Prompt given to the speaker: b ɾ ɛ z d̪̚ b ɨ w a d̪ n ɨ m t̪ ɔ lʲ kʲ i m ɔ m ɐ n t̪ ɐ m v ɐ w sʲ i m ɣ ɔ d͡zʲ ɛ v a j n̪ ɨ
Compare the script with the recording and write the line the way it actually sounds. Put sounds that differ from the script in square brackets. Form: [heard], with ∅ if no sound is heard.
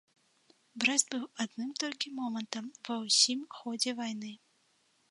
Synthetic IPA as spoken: b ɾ ɛ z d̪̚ b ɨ w a d̪ n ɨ m t̪ ɔ lʲ kʲ i m ɔ m ɐ n t̪ ɐ m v ɐ w sʲ i m [x] ɔ d͡zʲ ɛ v a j n̪ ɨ